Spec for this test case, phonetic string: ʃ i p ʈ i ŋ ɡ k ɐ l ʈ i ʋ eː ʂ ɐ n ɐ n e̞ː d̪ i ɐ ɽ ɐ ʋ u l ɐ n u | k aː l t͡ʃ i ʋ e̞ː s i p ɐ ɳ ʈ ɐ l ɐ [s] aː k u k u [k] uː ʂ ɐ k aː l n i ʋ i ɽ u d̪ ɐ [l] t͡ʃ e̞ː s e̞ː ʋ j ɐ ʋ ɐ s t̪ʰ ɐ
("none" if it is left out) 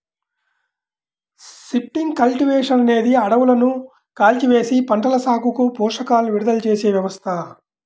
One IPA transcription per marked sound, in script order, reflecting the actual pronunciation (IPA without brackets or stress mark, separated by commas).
s, p, l